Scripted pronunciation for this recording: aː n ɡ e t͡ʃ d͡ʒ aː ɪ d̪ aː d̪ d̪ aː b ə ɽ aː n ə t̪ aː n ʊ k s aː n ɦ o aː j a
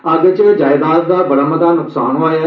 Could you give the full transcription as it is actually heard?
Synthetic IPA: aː ɡ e t͡ʃ d͡ʒ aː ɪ d̪ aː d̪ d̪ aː b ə ɽ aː m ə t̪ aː n ʊ k s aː n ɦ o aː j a